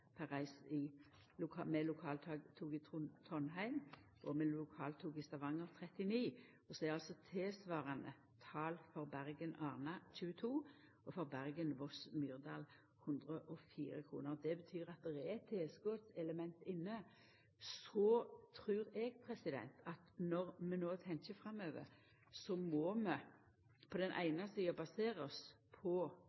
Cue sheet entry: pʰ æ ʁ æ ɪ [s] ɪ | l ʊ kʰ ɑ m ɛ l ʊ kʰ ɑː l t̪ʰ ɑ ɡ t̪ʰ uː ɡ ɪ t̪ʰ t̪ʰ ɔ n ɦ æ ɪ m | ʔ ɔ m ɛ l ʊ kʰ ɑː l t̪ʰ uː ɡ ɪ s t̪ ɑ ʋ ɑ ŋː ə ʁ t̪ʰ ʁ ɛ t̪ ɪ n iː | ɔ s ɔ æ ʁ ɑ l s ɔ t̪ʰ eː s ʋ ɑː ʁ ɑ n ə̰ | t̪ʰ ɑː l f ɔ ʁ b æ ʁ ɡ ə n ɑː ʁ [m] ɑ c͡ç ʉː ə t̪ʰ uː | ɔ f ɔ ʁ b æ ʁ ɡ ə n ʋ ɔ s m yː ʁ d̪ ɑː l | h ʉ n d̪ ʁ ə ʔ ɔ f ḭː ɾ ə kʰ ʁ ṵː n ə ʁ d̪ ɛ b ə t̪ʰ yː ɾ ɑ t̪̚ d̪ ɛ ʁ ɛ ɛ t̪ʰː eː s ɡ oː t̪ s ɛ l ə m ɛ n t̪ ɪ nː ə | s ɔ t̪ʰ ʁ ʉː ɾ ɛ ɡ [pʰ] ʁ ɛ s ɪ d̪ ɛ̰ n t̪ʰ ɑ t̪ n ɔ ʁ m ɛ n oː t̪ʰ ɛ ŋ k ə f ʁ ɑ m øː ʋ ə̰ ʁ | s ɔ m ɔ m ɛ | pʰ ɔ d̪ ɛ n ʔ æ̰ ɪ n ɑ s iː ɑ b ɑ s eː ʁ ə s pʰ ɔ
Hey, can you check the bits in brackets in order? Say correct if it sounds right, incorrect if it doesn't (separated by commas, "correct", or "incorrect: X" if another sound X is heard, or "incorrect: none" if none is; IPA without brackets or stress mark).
correct, incorrect: n, correct